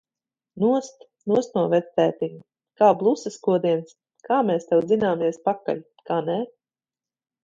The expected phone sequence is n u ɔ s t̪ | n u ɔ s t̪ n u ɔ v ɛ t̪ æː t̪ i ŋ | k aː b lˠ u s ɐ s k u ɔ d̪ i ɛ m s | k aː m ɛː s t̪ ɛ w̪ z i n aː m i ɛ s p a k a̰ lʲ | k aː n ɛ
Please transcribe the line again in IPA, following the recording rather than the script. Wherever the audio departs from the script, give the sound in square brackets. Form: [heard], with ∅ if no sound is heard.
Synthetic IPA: n u ɔ s t̪ | n u ɔ s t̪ n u ɔ v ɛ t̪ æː t̪ i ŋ | k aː b lˠ u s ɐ s k u ɔ d̪ i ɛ [n] s | k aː m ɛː s t̪ ɛ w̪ z i n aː m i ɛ s p a k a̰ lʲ | k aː n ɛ